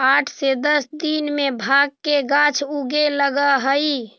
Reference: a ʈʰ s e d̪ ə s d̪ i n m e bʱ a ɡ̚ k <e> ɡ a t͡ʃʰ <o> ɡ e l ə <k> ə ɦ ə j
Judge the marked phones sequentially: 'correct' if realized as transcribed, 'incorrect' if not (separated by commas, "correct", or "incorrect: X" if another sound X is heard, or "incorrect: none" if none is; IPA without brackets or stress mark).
correct, incorrect: u, incorrect: ɡ